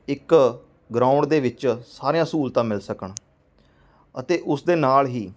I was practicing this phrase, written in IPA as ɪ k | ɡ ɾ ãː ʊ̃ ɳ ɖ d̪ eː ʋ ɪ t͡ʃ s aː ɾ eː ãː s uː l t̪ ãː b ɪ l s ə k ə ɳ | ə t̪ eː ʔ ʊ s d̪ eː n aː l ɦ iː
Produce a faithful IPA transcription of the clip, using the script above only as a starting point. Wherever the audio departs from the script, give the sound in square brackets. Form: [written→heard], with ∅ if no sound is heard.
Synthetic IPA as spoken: ɪ k | ɡ ɾ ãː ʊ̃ ɳ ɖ d̪ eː ʋ ɪ t͡ʃ s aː ɾ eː ãː s uː l t̪ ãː [b→m] ɪ l s ə k ə ɳ | ə t̪ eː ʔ ʊ s d̪ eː n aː l ɦ iː